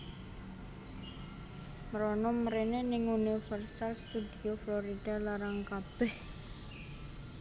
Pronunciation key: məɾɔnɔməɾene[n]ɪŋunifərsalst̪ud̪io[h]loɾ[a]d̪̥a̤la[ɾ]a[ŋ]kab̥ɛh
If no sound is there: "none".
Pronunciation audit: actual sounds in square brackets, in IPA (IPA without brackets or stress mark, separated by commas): n, f, i, ɾ, ŋ